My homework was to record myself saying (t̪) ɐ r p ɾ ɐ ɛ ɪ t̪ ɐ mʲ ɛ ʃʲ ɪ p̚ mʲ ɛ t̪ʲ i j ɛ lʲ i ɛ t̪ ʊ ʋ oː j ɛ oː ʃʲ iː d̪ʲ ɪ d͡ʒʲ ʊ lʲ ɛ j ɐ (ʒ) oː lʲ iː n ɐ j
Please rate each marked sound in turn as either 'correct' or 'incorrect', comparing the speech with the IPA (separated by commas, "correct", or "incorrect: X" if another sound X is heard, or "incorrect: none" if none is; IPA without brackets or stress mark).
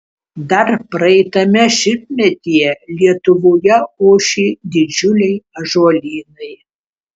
incorrect: d̪, correct